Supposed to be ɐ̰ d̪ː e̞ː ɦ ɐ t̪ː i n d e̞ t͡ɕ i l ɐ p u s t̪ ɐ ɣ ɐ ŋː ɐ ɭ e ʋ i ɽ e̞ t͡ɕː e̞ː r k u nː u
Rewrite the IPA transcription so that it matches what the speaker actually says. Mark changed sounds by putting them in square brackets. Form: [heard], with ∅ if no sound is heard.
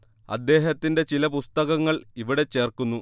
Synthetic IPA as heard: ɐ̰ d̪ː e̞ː ɦ ɐ t̪ː i n d e̞ t͡ɕ i l ɐ p u s t̪ ɐ ɣ ɐ ŋː ɐ ɭ [i] ʋ i ɽ e̞ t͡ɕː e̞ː r k u nː u